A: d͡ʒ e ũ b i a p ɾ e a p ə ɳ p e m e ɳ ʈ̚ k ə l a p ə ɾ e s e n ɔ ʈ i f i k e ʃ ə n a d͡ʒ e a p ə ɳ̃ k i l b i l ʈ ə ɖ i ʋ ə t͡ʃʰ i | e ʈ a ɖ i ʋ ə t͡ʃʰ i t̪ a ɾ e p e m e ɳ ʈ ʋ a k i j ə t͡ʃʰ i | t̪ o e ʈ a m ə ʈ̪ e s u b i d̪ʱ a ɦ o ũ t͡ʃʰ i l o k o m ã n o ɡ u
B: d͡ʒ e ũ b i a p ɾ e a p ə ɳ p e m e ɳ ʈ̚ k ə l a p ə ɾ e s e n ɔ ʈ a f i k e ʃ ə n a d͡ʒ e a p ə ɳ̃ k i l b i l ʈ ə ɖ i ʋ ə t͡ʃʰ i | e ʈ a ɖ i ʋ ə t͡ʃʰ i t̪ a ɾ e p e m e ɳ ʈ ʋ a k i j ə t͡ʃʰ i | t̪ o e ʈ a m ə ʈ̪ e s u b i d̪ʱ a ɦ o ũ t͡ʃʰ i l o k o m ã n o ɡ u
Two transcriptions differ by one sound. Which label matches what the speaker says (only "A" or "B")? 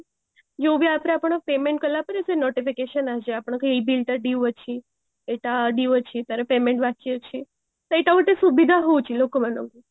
A